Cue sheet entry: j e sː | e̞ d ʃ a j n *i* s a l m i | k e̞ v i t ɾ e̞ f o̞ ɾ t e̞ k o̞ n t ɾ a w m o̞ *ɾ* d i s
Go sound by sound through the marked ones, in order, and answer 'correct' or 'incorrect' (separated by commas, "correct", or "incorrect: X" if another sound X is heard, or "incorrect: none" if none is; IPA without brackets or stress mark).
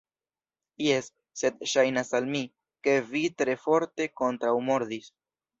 incorrect: a, correct